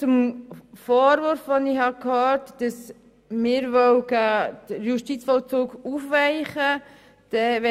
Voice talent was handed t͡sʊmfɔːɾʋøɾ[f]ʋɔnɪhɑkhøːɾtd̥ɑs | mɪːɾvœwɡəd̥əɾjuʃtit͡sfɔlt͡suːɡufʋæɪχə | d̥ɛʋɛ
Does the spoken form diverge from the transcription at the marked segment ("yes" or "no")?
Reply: no